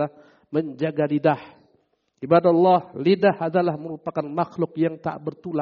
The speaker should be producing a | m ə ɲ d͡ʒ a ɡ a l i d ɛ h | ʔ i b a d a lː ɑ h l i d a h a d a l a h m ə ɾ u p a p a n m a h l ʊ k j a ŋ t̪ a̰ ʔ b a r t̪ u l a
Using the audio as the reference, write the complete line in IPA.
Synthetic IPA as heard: a | m ə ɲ d͡ʒ a ɡ a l i d a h | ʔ i b a d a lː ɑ h l i d a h a d a l a h m ə ɾ u p a k a n m a x l ʊ k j a ŋ t̪ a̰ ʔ b ə r t̪ u l a